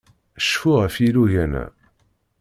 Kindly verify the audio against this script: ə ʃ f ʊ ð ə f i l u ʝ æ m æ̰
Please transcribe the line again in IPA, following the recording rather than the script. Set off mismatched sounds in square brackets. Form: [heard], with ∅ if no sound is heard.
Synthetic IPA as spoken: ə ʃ f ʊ [ʁ] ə f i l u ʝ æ [n] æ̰